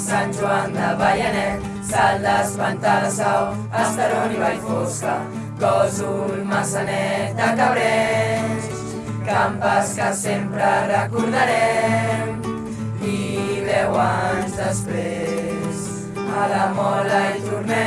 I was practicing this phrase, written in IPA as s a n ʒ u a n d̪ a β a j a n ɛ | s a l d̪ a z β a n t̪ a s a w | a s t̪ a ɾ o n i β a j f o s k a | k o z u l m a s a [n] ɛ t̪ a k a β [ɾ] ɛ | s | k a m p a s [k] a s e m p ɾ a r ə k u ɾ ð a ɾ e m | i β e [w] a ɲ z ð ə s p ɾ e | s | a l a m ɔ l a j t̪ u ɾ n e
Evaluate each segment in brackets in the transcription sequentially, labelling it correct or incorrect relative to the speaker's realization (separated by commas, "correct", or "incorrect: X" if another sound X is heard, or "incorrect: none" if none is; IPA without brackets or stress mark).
correct, correct, correct, correct